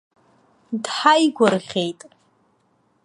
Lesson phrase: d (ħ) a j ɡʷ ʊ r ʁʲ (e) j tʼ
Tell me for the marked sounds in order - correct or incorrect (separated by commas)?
correct, correct